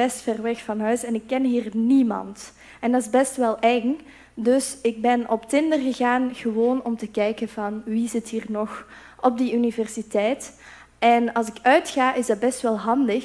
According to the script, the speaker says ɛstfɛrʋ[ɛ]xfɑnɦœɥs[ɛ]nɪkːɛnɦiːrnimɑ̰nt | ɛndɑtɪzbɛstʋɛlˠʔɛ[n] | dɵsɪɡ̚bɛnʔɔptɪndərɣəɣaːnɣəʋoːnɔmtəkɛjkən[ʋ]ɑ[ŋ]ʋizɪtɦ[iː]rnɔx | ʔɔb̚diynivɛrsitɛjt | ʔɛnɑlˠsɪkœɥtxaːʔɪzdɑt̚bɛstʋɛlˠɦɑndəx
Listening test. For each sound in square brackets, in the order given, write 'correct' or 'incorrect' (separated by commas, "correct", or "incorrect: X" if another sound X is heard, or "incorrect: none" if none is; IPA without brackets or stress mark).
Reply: correct, correct, incorrect: ŋ, incorrect: v, incorrect: n, correct